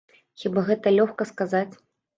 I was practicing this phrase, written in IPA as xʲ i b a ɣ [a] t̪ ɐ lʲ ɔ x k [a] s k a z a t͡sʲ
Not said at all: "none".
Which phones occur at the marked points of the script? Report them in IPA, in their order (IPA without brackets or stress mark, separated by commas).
ɛ, ɐ